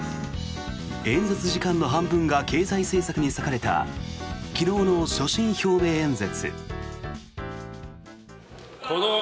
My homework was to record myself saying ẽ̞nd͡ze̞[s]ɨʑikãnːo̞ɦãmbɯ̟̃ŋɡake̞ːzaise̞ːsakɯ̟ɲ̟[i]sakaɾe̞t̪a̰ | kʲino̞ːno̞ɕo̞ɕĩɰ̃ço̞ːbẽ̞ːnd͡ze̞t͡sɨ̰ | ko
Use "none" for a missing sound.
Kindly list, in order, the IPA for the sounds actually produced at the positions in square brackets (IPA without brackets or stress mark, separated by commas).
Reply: t͡s, i